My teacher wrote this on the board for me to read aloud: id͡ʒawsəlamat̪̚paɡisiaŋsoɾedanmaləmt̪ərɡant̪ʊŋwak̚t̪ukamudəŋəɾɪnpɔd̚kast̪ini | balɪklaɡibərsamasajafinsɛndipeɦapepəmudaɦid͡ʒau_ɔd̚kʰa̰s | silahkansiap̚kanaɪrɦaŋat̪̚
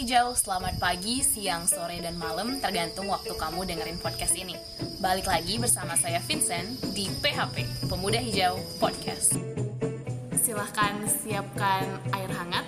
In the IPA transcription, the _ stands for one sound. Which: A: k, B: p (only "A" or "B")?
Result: B